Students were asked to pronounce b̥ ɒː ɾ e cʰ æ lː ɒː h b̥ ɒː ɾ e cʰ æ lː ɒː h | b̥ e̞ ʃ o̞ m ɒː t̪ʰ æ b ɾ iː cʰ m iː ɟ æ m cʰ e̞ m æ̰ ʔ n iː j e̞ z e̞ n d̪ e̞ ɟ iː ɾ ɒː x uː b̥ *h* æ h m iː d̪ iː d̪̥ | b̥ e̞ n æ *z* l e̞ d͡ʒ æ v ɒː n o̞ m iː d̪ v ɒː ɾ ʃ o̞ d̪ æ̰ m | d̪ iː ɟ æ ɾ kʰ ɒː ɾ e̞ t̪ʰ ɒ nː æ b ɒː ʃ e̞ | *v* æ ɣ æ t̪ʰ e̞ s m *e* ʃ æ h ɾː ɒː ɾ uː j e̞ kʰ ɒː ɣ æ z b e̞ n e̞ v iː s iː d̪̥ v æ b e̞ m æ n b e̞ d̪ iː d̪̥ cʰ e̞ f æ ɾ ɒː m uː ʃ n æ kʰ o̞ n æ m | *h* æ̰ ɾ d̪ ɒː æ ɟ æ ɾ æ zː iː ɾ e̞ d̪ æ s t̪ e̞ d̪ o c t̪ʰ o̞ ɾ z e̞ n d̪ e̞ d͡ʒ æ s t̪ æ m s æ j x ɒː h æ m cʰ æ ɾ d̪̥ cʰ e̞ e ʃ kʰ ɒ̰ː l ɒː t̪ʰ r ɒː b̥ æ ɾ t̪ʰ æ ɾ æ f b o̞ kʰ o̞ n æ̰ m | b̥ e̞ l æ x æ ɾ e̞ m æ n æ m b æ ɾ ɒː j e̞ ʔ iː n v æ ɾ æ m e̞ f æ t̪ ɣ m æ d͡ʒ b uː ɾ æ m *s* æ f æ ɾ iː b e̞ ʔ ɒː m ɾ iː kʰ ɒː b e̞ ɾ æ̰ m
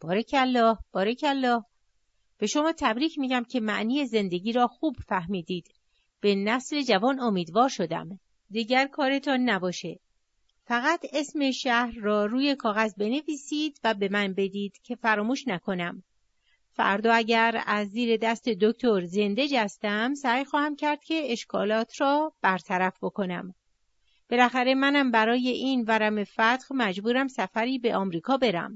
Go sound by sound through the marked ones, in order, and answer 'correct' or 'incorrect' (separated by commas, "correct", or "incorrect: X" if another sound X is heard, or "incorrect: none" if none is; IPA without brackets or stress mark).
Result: incorrect: f, incorrect: s, incorrect: f, correct, incorrect: f, correct